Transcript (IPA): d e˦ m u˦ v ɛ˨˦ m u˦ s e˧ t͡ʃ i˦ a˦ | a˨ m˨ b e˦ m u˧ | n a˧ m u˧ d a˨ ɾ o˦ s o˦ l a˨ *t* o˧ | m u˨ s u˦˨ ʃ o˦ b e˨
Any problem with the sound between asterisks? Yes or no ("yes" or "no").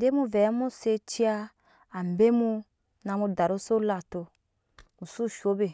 no